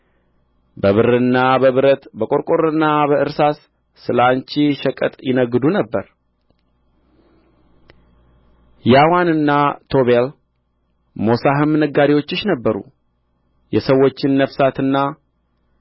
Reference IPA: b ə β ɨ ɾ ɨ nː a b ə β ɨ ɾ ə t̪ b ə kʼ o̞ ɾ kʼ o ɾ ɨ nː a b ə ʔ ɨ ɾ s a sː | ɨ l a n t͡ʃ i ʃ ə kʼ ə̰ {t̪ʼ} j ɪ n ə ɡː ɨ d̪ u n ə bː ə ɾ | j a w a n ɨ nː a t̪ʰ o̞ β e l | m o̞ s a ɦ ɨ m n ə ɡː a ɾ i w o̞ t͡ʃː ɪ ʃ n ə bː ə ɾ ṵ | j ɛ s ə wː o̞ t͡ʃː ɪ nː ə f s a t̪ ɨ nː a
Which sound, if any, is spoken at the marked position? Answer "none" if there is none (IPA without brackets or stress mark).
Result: t̪ʼ